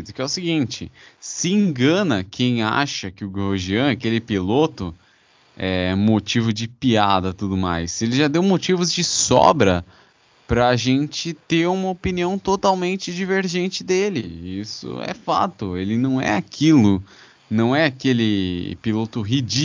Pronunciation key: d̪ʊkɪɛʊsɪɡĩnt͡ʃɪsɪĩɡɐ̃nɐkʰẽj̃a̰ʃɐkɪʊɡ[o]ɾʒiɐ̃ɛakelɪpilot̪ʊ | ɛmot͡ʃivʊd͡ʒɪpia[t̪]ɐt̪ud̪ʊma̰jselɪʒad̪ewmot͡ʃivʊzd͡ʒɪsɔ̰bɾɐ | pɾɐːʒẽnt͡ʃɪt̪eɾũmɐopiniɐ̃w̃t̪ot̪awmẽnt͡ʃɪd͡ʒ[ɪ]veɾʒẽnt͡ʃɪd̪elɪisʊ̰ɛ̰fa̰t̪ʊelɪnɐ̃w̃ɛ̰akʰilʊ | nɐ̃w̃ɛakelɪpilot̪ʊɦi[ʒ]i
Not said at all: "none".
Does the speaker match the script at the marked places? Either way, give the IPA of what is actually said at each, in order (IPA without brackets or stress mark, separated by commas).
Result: o, d̪, i, d͡ʒ